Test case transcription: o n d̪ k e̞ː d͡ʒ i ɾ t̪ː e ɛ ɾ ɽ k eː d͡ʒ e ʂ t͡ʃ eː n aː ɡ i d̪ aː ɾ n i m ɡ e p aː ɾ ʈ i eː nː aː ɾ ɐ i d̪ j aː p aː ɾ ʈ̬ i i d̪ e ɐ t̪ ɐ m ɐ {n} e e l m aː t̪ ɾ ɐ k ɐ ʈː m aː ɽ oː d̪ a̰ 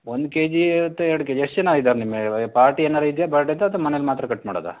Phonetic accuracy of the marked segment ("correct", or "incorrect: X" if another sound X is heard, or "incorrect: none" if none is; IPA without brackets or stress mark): correct